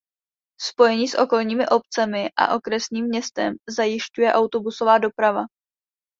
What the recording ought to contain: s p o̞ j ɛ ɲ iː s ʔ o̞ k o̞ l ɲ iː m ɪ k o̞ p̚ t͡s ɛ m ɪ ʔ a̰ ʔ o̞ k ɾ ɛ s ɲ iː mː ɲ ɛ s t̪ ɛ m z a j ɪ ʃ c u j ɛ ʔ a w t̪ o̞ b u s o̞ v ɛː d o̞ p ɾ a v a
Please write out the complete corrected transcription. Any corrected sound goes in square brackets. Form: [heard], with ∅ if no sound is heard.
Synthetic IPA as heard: s p o̞ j ɛ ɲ iː s ʔ o̞ k o̞ l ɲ iː m ɪ [ʔ] o̞ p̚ t͡s ɛ m ɪ ʔ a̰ ʔ o̞ k ɾ ɛ s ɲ iː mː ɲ ɛ s t̪ ɛ m z a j ɪ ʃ c u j ɛ ʔ a w t̪ o̞ b u s o̞ v [aː] d o̞ p ɾ a v a